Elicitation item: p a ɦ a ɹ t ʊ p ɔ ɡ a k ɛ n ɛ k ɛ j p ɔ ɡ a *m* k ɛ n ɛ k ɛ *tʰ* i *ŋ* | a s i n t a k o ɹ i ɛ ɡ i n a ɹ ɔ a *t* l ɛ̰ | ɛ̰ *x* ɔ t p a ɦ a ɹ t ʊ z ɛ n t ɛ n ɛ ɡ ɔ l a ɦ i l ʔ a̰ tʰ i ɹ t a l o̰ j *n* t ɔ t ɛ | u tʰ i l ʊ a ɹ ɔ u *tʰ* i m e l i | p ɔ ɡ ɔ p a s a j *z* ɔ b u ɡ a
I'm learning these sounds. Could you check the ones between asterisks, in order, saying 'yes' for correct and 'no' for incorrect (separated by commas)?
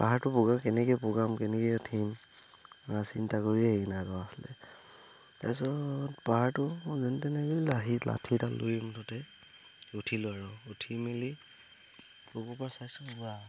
yes, yes, no, no, no, no, yes, no